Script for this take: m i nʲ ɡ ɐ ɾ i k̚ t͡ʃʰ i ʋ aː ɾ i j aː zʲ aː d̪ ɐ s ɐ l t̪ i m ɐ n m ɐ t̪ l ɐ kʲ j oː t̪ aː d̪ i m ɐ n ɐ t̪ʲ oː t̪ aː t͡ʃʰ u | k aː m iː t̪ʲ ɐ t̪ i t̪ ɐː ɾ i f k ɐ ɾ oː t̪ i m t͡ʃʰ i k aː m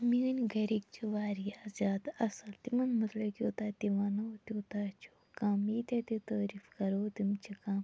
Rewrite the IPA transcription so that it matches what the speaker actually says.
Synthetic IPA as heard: m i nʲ ɡ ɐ ɾ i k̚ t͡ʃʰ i ʋ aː ɾ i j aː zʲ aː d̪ ɐ s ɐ l t̪ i m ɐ n m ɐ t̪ l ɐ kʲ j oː t̪ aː t̪ i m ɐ n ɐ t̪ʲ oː t̪ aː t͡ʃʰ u | k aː m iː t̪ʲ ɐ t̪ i t̪ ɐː ɾ i f k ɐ ɾ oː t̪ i m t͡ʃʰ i k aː m